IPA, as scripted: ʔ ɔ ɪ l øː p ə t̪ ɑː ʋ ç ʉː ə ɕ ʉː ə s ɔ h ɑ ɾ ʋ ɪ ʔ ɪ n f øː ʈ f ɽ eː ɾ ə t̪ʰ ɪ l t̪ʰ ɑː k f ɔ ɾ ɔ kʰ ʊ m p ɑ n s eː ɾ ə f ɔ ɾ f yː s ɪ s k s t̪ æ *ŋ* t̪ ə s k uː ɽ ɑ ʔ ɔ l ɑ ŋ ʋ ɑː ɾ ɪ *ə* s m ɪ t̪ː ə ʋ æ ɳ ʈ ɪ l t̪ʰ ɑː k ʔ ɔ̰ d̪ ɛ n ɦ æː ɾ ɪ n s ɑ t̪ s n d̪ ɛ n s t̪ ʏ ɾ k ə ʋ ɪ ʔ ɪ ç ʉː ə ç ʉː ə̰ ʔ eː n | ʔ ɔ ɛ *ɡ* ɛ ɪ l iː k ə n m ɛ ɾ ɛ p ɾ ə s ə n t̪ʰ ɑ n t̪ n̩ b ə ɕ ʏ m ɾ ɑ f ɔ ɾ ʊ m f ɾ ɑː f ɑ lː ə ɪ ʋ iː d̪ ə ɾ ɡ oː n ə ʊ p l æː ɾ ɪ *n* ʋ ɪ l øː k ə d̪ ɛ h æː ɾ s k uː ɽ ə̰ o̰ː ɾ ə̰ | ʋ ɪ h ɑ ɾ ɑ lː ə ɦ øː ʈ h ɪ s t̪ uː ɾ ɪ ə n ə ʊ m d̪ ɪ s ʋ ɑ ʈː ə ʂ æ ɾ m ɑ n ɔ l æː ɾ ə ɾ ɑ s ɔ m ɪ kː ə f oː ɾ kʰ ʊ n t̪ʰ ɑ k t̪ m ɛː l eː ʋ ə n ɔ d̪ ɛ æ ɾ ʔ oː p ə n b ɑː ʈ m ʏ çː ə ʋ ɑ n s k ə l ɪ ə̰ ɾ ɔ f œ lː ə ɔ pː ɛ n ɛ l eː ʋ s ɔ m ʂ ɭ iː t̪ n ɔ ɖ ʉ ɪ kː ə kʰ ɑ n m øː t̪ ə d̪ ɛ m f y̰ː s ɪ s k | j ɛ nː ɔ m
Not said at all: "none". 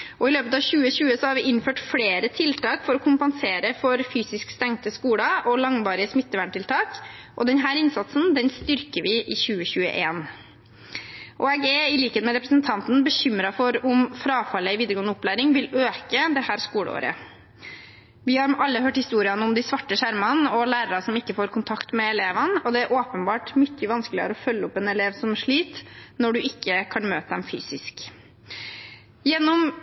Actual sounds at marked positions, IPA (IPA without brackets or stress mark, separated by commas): ŋ, ə, ɡ, ŋ